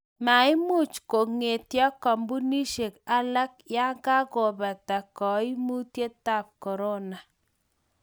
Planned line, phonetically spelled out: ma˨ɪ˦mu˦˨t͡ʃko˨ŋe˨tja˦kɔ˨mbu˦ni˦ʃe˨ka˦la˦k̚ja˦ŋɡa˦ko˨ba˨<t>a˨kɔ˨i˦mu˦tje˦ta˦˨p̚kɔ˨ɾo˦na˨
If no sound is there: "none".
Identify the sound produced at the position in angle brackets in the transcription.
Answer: t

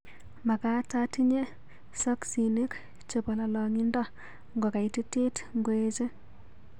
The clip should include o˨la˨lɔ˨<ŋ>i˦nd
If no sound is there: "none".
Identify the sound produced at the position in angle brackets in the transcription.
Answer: ŋ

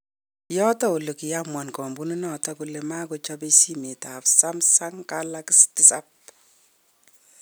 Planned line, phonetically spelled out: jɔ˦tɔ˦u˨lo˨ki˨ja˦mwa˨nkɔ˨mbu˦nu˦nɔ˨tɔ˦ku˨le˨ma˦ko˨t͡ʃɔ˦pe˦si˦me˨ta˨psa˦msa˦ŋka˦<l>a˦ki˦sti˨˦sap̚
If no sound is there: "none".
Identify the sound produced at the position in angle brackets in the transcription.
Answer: l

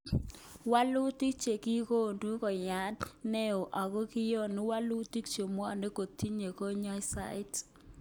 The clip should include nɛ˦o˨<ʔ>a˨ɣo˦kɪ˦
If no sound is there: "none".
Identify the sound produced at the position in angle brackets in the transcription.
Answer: ʔ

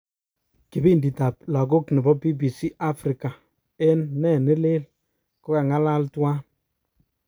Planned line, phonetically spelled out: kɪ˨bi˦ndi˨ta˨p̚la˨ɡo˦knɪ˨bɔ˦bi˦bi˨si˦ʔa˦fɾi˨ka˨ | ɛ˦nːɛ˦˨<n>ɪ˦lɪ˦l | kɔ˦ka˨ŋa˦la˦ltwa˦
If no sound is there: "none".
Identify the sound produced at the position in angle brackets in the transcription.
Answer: n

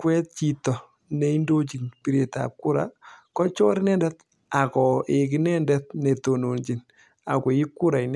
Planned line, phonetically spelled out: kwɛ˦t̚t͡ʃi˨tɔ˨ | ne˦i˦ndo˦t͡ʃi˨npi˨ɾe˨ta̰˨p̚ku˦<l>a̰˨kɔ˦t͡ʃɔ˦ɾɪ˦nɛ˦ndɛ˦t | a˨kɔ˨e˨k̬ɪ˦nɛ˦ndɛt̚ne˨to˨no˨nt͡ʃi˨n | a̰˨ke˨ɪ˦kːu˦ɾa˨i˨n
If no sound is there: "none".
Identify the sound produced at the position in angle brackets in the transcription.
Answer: ɾ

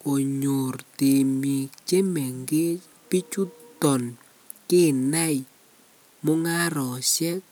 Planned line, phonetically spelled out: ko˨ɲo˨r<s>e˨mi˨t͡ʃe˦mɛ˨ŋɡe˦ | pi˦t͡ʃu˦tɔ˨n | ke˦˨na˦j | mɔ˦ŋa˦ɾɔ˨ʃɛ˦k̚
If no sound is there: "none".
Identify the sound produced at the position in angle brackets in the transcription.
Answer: t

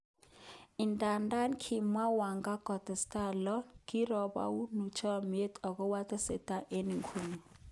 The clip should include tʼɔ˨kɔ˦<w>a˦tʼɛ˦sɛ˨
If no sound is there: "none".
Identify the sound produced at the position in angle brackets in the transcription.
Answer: w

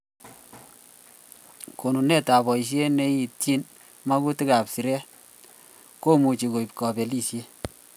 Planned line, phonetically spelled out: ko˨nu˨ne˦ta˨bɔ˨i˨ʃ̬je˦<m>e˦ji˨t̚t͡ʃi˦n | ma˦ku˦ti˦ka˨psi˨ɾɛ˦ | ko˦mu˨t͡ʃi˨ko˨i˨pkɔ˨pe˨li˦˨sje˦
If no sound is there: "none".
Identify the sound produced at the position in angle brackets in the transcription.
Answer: n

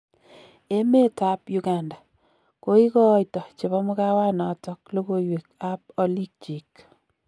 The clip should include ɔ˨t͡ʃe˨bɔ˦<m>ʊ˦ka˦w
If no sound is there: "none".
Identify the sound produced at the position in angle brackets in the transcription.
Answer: m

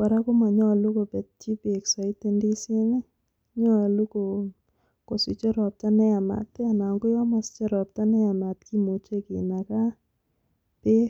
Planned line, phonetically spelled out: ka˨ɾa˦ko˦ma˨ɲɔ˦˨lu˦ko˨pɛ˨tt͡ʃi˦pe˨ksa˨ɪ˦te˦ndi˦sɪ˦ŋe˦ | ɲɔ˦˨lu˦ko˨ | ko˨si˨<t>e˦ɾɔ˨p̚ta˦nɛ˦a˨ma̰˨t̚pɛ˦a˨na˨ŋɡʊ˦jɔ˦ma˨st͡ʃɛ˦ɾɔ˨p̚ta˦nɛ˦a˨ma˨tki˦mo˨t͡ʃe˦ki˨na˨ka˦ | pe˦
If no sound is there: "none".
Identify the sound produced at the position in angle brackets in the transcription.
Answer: t͡ʃ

